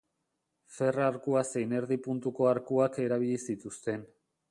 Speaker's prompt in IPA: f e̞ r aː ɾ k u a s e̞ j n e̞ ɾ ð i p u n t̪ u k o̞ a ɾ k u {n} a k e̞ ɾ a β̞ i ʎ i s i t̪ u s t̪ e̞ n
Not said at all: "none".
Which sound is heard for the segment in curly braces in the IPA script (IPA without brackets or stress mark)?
none